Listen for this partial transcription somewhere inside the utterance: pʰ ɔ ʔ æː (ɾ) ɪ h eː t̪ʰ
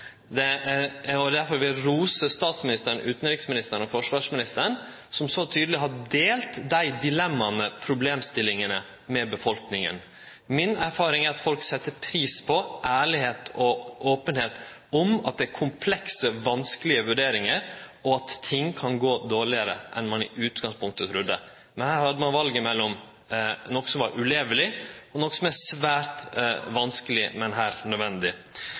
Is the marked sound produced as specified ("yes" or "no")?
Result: no